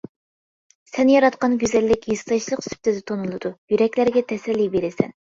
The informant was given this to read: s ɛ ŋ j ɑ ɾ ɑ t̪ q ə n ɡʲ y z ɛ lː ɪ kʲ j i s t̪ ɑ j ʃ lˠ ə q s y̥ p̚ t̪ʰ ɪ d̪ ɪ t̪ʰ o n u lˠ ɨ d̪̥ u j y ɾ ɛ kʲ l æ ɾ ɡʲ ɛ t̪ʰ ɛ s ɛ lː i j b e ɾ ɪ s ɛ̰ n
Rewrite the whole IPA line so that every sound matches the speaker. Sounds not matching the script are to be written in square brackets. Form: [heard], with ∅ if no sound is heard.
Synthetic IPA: s ɛ [n] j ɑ ɾ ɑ t̪ q [ɑ] n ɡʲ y z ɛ lː ɪ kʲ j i s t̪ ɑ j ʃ lˠ ə q s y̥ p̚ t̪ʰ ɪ d̪ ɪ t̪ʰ o n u lˠ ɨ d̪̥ u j y ɾ ɛ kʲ l æ ɾ ɡʲ ɛ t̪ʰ ɛ s ɛ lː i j b e ɾ ɪ s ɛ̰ n